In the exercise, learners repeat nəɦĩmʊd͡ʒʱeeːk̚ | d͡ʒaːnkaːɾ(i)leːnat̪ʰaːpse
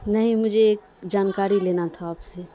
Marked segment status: correct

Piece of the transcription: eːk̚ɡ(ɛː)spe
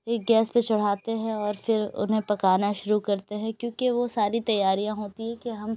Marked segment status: correct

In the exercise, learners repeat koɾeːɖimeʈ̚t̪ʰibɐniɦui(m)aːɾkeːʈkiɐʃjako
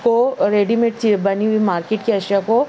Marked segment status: correct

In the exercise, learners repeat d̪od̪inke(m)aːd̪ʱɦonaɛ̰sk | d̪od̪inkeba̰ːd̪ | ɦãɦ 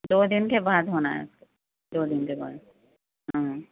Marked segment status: incorrect: b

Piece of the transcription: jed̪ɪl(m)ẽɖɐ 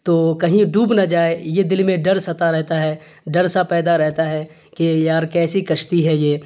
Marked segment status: correct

